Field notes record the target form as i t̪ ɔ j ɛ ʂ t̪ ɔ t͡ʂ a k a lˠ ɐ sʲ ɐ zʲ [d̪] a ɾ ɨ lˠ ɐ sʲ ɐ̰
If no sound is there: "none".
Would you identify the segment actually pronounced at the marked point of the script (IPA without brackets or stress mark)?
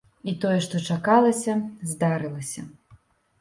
d̪